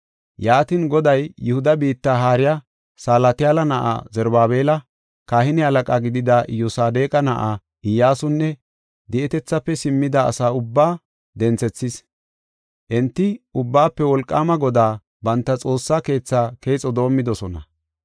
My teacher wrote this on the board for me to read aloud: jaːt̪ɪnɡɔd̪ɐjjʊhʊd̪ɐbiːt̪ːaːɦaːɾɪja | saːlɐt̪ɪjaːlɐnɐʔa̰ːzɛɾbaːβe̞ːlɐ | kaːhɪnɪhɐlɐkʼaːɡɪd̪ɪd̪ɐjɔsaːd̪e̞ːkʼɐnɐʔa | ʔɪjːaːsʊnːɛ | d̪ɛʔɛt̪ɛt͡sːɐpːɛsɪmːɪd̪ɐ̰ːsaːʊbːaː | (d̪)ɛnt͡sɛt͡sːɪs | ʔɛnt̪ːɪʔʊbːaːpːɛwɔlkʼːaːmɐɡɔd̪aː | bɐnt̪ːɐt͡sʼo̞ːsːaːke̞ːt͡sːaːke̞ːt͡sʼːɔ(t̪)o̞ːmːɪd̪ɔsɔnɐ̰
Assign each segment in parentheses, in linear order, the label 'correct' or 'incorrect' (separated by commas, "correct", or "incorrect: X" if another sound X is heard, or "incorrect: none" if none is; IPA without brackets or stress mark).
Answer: correct, incorrect: d̪